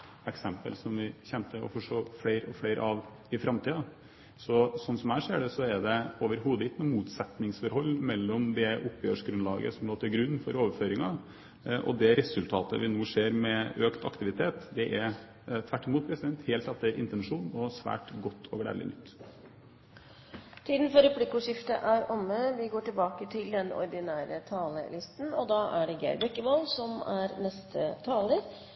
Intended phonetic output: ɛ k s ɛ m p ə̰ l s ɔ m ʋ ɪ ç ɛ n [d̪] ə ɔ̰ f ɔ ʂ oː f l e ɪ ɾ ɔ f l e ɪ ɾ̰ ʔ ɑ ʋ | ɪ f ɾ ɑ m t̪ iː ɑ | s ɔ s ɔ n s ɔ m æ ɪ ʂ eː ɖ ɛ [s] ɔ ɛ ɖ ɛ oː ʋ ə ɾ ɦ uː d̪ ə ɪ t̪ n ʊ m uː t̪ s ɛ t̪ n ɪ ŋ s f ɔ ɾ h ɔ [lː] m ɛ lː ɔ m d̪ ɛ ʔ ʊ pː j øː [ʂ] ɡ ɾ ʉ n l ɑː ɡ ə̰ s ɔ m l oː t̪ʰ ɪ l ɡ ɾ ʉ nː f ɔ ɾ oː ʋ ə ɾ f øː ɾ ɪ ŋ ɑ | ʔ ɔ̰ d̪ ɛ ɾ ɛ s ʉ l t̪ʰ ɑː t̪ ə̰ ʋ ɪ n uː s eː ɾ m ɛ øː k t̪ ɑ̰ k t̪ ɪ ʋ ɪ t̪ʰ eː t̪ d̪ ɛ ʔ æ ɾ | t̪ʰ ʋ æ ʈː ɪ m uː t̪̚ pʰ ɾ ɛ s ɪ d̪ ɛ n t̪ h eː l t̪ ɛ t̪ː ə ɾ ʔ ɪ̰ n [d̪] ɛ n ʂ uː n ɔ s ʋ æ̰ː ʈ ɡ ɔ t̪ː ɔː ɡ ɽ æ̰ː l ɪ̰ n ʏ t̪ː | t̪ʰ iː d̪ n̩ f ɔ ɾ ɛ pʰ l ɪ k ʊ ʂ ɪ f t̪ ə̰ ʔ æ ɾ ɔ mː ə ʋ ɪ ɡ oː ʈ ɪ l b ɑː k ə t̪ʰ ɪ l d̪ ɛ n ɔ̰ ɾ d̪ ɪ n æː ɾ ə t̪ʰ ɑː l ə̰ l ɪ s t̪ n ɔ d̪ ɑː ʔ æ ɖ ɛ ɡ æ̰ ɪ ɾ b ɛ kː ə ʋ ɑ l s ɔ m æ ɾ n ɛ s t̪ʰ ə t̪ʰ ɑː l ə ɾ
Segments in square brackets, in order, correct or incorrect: incorrect: t̪, correct, correct, correct, incorrect: t̪

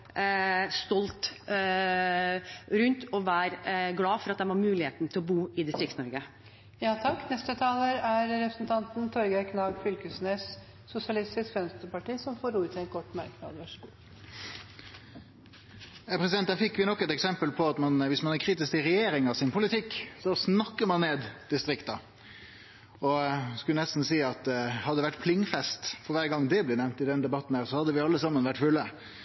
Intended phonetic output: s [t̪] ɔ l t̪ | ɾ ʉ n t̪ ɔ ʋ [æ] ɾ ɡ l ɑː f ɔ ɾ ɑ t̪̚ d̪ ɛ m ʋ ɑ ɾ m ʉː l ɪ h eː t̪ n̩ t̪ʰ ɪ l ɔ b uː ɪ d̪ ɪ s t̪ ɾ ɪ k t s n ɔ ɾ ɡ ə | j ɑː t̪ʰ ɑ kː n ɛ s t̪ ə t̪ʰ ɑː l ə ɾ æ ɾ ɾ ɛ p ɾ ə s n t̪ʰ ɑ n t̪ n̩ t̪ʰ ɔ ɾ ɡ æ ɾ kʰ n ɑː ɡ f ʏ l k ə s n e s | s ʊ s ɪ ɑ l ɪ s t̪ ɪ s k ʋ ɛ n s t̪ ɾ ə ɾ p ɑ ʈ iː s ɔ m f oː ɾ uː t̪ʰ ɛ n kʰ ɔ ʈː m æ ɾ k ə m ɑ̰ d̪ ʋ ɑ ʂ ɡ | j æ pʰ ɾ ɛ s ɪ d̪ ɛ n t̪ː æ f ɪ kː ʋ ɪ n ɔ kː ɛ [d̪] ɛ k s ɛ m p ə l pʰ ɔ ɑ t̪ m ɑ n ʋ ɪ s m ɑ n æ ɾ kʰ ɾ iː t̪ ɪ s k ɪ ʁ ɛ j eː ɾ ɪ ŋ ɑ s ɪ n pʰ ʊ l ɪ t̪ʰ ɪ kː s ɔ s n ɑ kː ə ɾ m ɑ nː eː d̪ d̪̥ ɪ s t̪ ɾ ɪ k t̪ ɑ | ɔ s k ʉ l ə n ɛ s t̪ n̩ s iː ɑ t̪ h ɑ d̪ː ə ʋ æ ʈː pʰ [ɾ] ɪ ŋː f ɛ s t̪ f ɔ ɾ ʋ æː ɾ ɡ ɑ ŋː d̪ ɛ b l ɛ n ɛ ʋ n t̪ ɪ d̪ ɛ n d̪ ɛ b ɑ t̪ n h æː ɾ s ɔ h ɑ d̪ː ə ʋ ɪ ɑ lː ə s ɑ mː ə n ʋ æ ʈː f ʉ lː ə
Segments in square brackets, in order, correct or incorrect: correct, incorrect: æː, incorrect: t̪, incorrect: l

